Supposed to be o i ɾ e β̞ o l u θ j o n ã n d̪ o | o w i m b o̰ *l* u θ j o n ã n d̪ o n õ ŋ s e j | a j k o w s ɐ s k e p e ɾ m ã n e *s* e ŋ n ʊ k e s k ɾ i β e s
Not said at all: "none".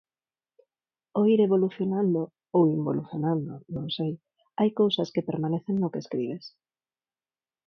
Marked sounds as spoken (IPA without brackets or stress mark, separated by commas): l, θ